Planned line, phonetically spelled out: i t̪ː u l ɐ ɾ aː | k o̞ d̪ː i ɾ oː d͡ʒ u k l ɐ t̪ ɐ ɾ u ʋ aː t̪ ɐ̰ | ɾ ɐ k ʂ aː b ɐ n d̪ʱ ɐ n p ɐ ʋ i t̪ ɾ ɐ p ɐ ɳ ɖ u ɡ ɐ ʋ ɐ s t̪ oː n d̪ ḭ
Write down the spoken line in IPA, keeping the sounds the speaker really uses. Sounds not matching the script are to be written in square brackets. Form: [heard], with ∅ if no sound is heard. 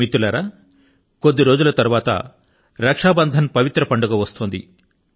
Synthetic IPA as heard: i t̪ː u l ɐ ɾ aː | k o̞ d̪ː i ɾ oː d͡ʒ u [∅] l ɐ t̪ ɐ ɾ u ʋ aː t̪ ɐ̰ | ɾ ɐ k ʂ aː b ɐ n d̪ʱ ɐ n p ɐ ʋ i t̪ ɾ ɐ p ɐ ɳ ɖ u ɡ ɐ ʋ ɐ s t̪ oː n d̪ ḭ